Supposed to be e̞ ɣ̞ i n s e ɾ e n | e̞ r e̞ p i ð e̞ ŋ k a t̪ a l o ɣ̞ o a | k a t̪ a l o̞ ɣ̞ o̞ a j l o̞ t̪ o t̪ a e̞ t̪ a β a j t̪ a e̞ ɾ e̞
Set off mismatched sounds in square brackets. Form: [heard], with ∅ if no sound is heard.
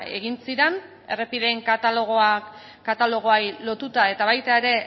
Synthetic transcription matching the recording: e̞ ɣ̞ i n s [i] ɾ e n | e̞ r e̞ p i ð e̞ ŋ k a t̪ a l o ɣ̞ o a | k a t̪ a l o̞ ɣ̞ o̞ a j l o̞ t̪ [u] t̪ a e̞ t̪ a β a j t̪ a e̞ ɾ e̞